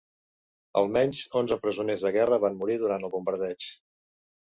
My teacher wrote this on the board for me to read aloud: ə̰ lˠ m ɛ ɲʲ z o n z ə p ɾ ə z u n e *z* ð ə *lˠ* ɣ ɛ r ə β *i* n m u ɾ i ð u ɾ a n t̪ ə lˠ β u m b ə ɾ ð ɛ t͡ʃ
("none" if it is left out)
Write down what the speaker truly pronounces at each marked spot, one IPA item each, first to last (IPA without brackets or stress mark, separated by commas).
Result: z, none, a